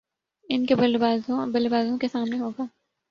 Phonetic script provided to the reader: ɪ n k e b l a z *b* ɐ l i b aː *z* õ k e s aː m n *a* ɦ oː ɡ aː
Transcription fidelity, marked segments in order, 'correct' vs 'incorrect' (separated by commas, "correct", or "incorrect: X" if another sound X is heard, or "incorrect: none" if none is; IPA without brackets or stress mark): correct, correct, incorrect: e